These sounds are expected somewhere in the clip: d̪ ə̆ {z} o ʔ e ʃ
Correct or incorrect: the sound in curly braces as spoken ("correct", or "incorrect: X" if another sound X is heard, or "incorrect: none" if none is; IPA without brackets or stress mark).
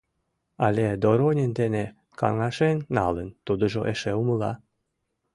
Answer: incorrect: ʒ